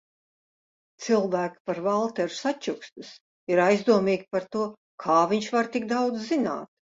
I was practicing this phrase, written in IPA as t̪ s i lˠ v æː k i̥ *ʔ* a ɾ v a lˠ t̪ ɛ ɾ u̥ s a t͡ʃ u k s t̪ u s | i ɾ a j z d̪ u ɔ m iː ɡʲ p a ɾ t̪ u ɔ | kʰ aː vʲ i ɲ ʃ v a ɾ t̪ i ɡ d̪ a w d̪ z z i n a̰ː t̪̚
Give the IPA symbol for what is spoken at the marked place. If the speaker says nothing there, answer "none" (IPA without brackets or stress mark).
p